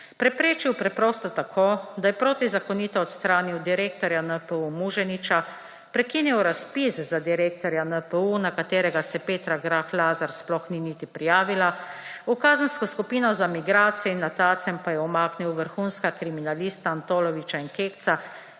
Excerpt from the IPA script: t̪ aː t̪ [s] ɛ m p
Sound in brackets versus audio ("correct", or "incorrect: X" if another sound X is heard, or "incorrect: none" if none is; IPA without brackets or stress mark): correct